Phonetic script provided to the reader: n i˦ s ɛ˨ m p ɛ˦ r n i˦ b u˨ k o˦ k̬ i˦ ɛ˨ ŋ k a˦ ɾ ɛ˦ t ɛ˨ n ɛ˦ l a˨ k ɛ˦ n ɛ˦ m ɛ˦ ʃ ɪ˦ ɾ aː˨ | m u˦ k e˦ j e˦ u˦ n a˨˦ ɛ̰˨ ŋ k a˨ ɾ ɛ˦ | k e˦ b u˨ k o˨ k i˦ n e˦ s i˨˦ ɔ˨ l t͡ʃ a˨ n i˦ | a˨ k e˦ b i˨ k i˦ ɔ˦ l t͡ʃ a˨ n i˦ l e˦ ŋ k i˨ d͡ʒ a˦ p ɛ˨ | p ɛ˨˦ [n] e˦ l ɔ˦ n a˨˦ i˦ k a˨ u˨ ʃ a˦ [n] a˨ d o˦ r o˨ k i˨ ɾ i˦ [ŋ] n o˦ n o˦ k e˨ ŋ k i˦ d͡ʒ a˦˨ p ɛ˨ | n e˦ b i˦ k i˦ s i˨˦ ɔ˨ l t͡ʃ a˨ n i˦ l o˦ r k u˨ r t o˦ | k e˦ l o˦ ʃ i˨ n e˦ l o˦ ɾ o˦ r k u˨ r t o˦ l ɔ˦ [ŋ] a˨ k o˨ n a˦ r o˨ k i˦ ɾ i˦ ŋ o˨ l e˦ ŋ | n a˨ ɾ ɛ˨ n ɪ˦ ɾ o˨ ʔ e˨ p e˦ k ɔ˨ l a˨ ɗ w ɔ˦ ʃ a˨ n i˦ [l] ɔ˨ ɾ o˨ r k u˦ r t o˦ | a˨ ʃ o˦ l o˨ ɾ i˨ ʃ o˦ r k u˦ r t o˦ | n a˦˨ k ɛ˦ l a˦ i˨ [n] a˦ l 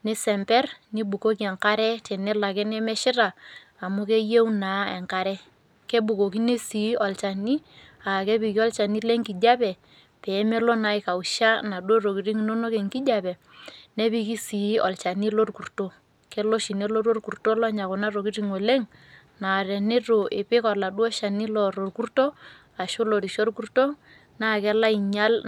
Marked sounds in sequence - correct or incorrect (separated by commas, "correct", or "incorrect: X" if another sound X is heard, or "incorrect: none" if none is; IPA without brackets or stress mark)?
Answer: incorrect: m, correct, correct, incorrect: ɲ, correct, incorrect: ɲ